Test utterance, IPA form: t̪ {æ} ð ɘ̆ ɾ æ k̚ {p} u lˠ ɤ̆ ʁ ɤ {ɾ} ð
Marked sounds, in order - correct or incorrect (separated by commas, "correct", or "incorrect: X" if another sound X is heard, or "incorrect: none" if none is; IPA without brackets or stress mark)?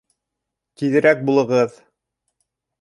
incorrect: i, incorrect: b, incorrect: none